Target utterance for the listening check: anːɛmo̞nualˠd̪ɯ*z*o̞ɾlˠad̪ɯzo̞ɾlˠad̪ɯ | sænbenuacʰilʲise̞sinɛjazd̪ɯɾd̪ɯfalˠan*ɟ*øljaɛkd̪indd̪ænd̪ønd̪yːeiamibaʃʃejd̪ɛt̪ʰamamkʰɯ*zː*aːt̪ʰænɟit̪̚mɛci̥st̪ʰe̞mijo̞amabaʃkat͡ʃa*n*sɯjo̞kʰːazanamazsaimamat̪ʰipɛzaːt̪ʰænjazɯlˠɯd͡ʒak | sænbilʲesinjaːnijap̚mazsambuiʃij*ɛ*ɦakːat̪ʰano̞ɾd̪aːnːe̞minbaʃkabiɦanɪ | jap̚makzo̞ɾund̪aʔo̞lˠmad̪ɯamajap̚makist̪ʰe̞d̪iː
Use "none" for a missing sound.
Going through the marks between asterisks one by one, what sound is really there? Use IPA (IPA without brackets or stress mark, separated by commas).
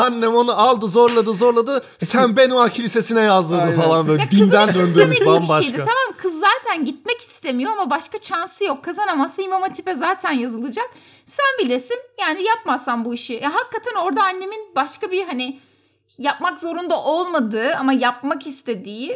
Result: z, b, zː, n, a